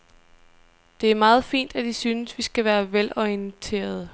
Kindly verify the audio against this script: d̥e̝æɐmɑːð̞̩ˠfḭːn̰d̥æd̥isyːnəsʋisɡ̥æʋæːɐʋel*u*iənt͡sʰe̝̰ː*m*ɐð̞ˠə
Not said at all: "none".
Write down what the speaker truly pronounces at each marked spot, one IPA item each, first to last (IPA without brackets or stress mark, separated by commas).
ɒ, none